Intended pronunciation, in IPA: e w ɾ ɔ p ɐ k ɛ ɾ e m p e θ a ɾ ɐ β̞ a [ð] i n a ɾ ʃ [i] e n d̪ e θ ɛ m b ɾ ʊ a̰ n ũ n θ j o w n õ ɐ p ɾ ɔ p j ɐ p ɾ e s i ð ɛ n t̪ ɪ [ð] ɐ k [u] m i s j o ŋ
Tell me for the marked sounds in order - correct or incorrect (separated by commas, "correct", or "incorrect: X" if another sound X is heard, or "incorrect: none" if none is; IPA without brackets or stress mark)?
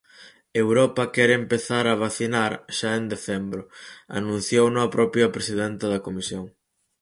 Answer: incorrect: θ, incorrect: a, correct, incorrect: o